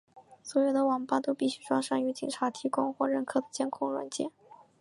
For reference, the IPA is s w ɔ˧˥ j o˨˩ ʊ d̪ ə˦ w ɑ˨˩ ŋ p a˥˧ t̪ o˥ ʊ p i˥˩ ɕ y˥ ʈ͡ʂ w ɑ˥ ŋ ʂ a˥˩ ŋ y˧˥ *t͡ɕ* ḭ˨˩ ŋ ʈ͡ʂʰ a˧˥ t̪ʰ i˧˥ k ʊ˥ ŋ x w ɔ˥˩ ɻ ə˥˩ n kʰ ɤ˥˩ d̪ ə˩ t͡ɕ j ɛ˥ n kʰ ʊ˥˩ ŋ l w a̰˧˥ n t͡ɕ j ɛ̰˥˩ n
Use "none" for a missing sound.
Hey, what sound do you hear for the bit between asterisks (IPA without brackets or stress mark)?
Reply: t͡ɕ